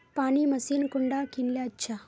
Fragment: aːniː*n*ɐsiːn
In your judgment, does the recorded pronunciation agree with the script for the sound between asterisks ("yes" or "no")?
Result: no